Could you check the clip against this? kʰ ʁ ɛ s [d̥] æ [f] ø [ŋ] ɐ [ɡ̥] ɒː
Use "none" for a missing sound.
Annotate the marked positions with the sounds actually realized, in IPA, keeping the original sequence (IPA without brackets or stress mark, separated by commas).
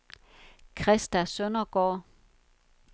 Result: d̥, s, n, ɡ̥